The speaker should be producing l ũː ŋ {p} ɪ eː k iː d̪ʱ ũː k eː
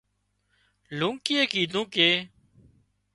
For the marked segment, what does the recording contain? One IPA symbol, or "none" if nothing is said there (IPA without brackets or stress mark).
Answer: k